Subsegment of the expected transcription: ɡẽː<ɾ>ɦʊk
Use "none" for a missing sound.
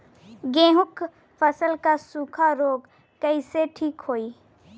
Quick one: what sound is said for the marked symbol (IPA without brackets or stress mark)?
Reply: none